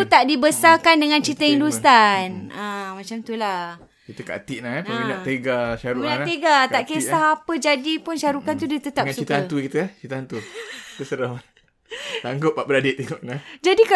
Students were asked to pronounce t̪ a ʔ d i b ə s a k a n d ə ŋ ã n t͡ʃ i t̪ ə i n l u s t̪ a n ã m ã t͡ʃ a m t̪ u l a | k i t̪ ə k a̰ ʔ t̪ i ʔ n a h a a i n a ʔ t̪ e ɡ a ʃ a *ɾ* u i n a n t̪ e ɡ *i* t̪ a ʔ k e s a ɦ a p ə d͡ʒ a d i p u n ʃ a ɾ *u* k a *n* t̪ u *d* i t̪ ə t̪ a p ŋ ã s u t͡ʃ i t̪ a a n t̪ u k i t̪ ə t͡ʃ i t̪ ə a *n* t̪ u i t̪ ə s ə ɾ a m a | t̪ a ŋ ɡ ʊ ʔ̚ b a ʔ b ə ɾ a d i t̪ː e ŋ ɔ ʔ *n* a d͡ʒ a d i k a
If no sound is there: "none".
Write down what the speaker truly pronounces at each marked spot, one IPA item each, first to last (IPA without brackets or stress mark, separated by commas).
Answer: ɾ, a, u, n, d, n, n